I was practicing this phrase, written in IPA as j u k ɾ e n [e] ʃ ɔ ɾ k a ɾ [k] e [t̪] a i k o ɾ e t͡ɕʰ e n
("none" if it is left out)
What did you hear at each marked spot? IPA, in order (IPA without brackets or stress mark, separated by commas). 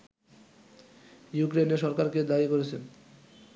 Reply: e, k, d̪